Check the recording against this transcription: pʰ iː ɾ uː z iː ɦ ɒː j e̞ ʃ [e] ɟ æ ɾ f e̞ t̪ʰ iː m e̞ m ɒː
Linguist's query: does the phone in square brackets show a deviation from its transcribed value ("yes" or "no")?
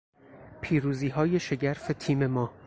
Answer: no